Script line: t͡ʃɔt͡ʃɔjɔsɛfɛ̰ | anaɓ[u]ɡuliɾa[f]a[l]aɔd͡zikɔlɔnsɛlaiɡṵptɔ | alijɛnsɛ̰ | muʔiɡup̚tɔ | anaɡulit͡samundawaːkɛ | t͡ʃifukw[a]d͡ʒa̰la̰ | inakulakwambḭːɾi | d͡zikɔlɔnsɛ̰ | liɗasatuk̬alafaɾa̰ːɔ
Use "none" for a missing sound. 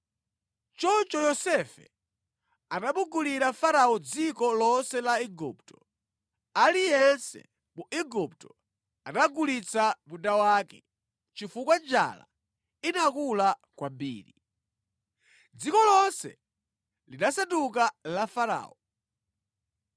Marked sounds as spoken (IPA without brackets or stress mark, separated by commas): u, f, ɾ, a